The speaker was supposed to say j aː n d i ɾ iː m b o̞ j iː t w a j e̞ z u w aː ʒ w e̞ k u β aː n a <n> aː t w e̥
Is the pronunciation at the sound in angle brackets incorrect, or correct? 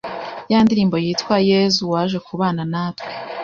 correct